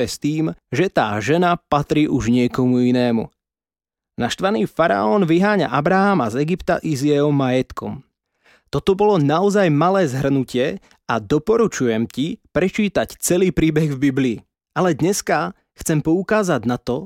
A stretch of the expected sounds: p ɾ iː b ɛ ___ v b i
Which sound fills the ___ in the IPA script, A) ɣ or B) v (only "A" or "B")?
A